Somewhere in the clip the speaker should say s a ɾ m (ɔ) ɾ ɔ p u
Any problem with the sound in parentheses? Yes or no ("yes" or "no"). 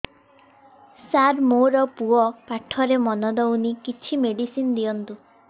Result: yes